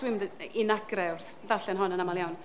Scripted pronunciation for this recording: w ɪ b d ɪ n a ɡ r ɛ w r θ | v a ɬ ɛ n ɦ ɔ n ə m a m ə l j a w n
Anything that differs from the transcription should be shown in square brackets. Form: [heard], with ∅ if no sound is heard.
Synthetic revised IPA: w ɪ [m] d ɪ n a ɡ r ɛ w r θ | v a ɬ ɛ n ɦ ɔ n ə [n] a m [a] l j a w n